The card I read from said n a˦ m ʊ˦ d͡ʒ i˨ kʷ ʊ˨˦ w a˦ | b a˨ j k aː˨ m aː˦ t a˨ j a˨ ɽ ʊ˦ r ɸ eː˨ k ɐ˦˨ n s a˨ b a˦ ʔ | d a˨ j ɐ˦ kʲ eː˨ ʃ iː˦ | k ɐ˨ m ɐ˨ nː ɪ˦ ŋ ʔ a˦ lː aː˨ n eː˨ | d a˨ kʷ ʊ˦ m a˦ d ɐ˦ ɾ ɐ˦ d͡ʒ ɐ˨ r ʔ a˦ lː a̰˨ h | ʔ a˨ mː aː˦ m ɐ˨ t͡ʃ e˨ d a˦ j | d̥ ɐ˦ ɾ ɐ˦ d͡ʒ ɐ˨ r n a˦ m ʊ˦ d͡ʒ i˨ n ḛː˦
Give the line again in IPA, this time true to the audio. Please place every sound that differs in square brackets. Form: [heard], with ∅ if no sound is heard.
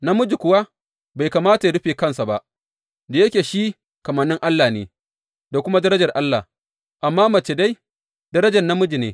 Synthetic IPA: n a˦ m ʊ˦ d͡ʒ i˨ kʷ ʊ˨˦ w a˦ | b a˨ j k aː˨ m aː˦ t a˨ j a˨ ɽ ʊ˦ [∅] ɸ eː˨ k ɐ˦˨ n s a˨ b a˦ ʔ | d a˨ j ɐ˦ kʲ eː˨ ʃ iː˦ | k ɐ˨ m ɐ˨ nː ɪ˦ ŋ ʔ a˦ lː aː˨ n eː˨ | d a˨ kʷ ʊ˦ m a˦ d ɐ˦ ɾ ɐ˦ d͡ʒ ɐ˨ r ʔ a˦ lː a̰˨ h | ʔ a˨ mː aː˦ m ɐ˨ t͡ʃ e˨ d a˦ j | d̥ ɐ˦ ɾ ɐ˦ d͡ʒ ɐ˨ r n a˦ m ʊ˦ d͡ʒ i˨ n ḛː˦